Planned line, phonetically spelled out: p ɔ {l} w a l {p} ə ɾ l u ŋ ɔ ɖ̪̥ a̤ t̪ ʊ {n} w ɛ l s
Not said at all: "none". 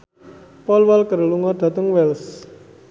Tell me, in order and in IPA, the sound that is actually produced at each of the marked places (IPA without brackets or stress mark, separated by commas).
l, k, ŋ